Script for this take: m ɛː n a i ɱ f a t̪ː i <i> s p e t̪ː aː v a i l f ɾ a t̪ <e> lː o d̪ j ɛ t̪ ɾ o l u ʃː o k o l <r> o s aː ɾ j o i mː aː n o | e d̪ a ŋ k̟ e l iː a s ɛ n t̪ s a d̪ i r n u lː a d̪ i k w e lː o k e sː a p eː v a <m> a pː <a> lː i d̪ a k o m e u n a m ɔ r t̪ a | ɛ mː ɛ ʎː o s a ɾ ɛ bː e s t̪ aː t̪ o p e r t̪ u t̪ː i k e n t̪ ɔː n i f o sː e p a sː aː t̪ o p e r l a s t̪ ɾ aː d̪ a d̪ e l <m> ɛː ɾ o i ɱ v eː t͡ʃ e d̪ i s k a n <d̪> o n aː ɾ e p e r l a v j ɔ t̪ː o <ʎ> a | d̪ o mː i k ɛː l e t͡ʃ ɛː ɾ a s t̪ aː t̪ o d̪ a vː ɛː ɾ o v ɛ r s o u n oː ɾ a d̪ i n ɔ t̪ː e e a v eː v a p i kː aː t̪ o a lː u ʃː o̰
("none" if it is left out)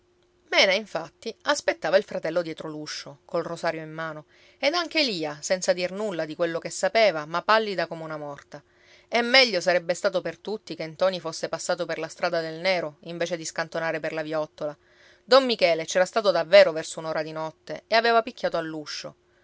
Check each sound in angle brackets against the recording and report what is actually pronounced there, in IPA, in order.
a, ɛ, r, m, a, n, t̪, l

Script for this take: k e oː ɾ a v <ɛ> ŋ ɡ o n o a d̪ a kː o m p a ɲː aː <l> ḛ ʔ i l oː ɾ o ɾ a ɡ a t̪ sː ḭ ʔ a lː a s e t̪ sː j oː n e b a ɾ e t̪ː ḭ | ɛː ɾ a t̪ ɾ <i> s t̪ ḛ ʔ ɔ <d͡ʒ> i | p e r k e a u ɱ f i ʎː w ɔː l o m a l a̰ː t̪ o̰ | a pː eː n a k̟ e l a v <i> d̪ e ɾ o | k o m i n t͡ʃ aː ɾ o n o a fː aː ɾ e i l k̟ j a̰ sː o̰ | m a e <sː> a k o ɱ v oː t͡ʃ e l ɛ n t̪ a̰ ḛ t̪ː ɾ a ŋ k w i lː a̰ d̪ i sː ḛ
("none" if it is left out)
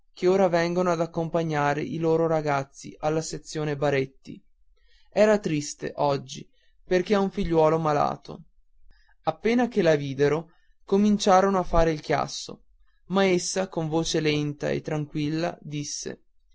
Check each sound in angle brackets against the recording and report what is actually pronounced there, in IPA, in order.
ɛ, ɾ, i, d͡ʒː, iː, sː

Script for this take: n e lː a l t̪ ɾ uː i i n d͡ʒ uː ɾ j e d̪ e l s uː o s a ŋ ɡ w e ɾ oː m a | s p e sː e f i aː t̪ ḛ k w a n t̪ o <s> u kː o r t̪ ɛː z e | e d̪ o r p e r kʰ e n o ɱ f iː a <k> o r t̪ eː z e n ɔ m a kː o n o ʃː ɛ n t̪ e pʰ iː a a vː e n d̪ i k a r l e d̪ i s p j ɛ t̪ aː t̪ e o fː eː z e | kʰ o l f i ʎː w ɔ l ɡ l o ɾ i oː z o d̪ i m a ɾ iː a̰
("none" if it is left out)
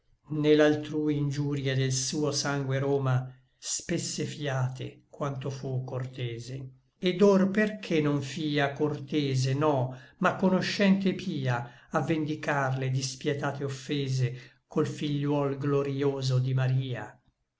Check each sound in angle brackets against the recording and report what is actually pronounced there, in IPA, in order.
f, k

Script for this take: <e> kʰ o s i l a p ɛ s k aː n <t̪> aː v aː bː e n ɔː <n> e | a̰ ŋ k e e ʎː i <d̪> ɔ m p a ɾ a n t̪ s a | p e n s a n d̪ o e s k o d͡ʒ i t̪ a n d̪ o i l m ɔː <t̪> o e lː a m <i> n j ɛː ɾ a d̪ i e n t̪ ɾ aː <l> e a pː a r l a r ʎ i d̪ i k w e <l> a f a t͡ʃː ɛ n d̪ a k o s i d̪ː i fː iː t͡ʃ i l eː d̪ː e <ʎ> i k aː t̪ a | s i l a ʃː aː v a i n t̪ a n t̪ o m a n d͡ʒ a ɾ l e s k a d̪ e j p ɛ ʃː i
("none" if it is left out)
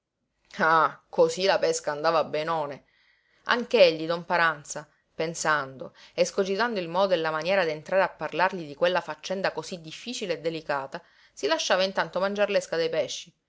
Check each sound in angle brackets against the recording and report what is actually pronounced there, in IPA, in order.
a, d̪, n, d̪, d̪, a, ɾ, lː, l

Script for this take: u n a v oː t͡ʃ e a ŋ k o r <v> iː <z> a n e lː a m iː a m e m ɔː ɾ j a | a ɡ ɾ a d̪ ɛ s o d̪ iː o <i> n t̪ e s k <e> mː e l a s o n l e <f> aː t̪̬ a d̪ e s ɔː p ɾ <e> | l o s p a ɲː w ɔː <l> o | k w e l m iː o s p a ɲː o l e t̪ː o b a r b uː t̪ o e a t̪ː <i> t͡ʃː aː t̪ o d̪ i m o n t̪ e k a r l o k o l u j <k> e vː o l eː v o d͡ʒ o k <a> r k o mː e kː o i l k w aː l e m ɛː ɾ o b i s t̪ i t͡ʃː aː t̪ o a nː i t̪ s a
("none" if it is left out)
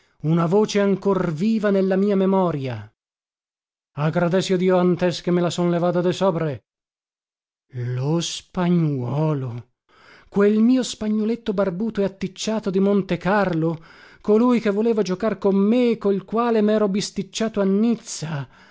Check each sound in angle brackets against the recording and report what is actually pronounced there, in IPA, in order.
v, v, a, e, v, e, l, i, k, a

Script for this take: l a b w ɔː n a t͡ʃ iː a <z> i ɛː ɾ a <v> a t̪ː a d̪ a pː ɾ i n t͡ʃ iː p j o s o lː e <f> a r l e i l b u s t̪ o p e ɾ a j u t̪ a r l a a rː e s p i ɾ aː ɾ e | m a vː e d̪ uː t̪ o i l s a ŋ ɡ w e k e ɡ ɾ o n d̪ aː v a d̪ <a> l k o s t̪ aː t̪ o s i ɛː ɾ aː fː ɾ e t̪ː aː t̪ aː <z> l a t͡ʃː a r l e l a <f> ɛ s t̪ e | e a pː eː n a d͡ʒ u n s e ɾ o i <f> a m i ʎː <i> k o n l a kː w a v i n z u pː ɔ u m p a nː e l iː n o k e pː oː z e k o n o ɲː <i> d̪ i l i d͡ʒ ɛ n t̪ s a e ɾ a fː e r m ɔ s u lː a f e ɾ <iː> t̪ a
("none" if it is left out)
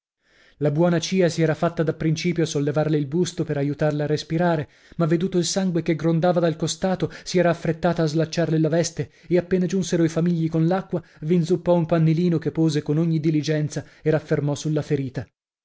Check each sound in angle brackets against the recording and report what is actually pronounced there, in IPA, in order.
s, f, v, a, z, v, f, i, i, iː

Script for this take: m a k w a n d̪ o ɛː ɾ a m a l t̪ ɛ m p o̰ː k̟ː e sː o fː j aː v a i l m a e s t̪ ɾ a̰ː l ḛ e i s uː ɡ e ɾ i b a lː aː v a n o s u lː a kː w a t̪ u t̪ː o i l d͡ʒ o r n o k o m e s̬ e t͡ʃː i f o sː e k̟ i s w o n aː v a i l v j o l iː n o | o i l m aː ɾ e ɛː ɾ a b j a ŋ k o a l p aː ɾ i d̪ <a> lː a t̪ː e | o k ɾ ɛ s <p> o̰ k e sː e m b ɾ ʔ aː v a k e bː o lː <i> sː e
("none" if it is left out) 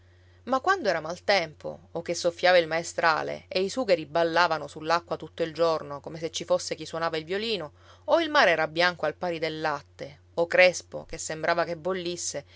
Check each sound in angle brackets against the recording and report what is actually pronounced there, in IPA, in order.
e, p, i

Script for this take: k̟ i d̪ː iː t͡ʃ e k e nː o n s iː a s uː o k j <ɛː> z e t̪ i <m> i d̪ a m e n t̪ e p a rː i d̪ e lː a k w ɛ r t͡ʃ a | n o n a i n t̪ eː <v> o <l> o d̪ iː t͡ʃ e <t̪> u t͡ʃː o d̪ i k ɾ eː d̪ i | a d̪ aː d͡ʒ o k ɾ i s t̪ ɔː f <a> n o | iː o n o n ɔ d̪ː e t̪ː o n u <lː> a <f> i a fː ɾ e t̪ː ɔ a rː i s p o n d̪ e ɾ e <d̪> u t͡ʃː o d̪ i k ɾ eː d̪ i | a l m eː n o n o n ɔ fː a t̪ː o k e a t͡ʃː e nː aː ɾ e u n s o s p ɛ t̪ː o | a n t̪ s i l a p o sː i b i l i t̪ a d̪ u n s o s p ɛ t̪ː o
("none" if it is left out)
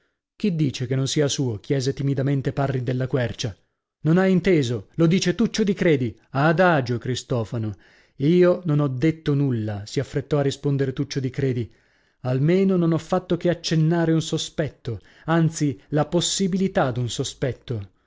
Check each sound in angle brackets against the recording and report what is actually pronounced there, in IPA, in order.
ɛː, m, z, l, t̪, a, lː, s, t̪

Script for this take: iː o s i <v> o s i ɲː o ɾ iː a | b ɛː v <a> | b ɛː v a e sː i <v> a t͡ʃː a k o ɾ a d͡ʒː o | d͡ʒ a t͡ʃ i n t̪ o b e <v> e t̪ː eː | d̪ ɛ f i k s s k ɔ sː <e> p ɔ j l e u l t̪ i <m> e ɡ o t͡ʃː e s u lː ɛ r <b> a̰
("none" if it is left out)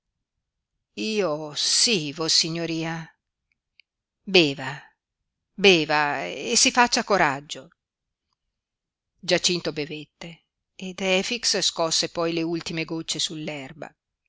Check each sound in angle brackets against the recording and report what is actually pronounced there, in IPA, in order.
v, a, f, v, e, m, b

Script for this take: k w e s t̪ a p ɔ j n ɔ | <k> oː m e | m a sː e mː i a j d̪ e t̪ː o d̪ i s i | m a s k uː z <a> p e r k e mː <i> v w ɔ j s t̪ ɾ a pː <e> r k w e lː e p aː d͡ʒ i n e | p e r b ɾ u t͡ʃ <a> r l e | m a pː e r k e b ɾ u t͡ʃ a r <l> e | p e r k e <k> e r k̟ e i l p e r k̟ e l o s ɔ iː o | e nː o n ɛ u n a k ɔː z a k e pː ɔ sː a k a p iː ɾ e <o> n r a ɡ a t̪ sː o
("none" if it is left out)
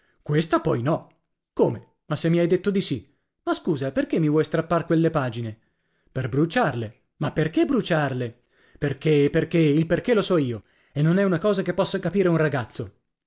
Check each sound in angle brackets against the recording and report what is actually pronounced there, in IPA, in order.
k, a, i, a, a, l, p, u

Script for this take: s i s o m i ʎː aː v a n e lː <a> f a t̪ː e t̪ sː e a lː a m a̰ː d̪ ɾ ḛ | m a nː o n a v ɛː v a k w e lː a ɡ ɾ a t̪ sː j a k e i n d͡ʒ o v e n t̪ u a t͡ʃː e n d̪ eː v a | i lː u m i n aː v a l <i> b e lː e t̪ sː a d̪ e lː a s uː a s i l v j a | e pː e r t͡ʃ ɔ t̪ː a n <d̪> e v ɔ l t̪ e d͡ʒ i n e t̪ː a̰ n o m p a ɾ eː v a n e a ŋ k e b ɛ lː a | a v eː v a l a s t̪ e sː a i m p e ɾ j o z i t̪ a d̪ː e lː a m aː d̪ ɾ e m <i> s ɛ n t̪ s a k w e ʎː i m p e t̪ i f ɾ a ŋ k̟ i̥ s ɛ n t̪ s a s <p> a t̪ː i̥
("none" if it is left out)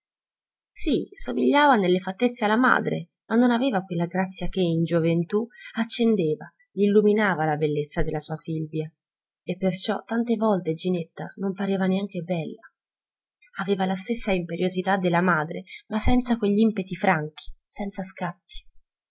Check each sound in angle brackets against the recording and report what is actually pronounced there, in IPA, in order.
e, a, t̪, a, k

